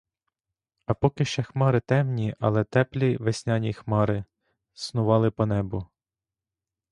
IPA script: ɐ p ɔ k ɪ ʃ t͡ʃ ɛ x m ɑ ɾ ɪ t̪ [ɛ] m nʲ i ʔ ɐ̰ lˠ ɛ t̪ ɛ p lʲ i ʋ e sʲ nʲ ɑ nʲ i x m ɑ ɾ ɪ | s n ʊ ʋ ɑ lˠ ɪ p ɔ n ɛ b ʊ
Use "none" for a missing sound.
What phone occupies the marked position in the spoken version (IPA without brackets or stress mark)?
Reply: ɛ